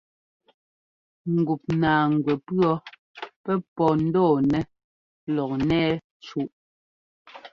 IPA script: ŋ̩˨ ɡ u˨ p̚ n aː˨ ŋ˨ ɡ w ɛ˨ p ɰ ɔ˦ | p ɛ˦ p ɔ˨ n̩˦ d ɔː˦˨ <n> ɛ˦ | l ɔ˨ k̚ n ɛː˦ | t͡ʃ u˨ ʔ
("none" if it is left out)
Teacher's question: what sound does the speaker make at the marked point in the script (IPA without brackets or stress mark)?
n